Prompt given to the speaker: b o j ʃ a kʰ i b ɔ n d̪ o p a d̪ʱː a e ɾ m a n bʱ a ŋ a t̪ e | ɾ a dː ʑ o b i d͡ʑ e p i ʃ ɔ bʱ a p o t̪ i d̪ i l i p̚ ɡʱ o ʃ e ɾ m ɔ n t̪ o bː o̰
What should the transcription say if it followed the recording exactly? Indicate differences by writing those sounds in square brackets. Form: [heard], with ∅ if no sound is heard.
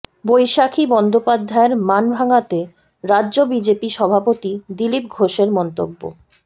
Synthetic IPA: b o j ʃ a kʰ i b ɔ n d̪ o p a d̪ʱː a e ɾ m a n bʱ a ŋ a t̪ e | ɾ a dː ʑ o b i d͡ʑ e p i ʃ ɔ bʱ a p o t̪ i d̪ i l i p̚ ɡʱ o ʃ e ɾ m ɔ n t̪ o bː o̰

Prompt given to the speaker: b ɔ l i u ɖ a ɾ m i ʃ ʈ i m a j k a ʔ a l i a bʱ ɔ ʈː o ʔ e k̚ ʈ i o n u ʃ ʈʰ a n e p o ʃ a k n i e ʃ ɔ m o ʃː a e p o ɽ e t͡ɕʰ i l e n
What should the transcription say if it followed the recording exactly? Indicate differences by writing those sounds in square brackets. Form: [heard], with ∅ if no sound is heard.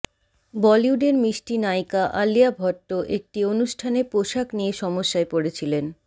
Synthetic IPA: b ɔ l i u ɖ [e] ɾ m i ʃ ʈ i [n] a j k a ʔ a l i a bʱ ɔ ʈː o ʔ e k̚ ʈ i o n u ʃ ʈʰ a n e p o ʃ a k n i e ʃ ɔ m o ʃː a e p o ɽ e t͡ɕʰ i l e n

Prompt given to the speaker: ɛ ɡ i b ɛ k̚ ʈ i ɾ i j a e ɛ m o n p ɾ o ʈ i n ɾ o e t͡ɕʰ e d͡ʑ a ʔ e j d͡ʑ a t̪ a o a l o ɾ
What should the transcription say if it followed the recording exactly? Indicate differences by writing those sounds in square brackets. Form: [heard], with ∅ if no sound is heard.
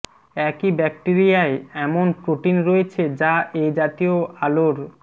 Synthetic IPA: ɛ [k] i b ɛ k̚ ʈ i ɾ i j a e ɛ m o n p ɾ o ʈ i n ɾ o e t͡ɕʰ e d͡ʑ a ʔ e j d͡ʑ a t̪ [i] o a l o ɾ

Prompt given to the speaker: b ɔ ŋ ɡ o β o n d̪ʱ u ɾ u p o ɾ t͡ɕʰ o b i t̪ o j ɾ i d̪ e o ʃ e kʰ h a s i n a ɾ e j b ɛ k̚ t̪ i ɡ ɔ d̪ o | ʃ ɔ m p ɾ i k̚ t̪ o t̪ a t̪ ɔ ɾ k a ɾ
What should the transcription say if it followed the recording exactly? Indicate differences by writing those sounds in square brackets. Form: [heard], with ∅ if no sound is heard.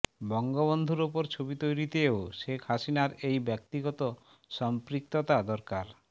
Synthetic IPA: b ɔ ŋ ɡ o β o n d̪ʱ u ɾ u p o ɾ t͡ɕʰ o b i t̪ o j ɾ i [t̪] e o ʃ e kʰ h a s i n a ɾ e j b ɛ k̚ t̪ i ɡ ɔ [t̪] o | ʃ ɔ m p ɾ i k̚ t̪ o t̪ a [d̪] ɔ ɾ k a ɾ

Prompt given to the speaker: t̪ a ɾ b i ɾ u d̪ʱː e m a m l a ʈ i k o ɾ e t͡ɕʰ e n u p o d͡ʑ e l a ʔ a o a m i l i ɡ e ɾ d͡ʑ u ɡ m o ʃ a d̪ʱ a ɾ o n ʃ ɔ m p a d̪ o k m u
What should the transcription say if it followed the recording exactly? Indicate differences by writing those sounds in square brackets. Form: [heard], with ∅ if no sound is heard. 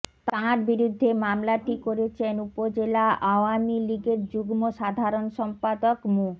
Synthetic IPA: t̪ a ɾ b i ɾ u d̪ʱː e m a m l a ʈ i k o ɾ e t͡ɕʰ e n u p o d͡ʑ e l a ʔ a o a m i l i ɡ e ɾ d͡ʑ u ɡ m o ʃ a d̪ʱ a ɾ o n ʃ ɔ m p a d̪ o k m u

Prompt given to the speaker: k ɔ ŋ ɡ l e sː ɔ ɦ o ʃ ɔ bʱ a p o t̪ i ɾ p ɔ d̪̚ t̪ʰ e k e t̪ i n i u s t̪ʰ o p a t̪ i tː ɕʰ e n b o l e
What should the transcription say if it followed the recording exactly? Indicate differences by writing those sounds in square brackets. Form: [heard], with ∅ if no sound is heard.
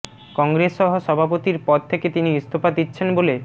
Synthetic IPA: k ɔ ŋ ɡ [ɾ] e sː ɔ ɦ o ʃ ɔ bʱ a p o t̪ i ɾ p ɔ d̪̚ t̪ʰ e k e t̪ i n i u s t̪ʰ o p a [d̪] i tː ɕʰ e n b o l e

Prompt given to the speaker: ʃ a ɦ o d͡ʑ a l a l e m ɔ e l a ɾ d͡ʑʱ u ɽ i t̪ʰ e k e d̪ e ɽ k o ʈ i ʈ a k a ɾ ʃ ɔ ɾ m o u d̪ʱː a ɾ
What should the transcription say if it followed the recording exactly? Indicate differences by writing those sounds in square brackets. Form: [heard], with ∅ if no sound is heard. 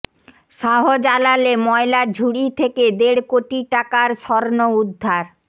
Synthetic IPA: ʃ a ɦ o d͡ʑ a l a l e m ɔ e l a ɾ d͡ʑʱ u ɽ i t̪ʰ e k e d̪ e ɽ k o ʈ i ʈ a k a ɾ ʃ ɔ ɾ [n] o u d̪ʱː a ɾ

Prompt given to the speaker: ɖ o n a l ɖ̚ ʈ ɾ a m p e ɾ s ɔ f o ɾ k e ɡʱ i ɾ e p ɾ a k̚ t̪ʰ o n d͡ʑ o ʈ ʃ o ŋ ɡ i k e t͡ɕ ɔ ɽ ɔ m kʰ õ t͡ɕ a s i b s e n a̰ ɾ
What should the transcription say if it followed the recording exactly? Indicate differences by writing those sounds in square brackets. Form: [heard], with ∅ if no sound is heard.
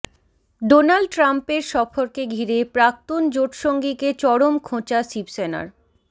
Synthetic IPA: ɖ o n a l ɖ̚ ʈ ɾ a m p e ɾ [ʃ] ɔ f o ɾ k e ɡʱ i ɾ e p ɾ a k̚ [t̪] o n d͡ʑ o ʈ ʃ o ŋ ɡ i k e t͡ɕ ɔ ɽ [o] m kʰ õ t͡ɕ a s i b s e n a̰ ɾ

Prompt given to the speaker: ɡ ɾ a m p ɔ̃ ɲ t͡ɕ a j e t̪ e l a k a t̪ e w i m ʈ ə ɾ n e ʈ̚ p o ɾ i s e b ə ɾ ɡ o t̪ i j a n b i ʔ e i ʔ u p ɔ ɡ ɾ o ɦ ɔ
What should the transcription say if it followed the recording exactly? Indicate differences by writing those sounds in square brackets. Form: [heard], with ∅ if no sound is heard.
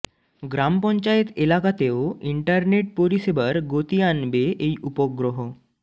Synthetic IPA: ɡ ɾ a m p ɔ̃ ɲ t͡ɕ a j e t̪ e l a k a t̪ e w i [ɳ] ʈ ə ɾ n e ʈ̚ p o ɾ i s e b ə ɾ ɡ o t̪ i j a n b [e] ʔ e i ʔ u p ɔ ɡ ɾ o ɦ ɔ

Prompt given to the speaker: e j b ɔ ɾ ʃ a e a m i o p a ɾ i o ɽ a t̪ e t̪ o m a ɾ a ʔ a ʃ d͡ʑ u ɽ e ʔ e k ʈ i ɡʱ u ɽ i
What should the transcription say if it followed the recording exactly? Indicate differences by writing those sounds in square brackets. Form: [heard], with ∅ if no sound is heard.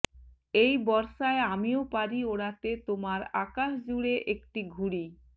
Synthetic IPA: e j b ɔ ɾ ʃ a e a m i o p a ɾ i o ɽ a t̪ e t̪ o m a ɾ a [k] a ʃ d͡ʑ u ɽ e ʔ e k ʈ i ɡʱ u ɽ i

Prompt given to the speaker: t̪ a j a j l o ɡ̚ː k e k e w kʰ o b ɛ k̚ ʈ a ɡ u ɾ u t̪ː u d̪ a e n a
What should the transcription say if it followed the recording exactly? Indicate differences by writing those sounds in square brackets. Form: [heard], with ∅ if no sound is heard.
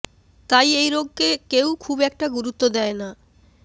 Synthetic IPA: t̪ a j [e] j [ɾ] o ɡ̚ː k e k e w kʰ [u] b ɛ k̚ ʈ a ɡ u ɾ u t̪ː [o] d̪ [ɛ] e n a

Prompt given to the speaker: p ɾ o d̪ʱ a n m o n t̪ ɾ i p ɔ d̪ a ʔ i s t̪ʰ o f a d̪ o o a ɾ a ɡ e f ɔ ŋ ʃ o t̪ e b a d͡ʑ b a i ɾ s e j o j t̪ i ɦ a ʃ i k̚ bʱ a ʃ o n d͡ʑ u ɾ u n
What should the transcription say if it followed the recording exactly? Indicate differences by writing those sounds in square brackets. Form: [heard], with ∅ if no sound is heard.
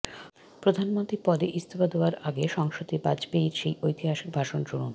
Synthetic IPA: p ɾ o d̪ʱ a n m o n t̪ ɾ i p ɔ d̪ [e] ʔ i s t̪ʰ o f a d̪ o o a ɾ a ɡ e [ʃ] ɔ ŋ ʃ o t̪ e b a d͡ʑ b [e] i ɾ [ʃ] e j o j t̪ i ɦ a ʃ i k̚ bʱ a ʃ o n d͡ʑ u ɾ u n

